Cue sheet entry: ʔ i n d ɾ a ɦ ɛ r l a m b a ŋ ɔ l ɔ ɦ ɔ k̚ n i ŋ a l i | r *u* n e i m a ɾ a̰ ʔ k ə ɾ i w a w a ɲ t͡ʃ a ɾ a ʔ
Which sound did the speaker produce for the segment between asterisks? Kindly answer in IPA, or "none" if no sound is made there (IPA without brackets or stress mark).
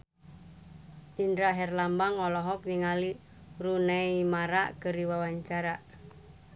u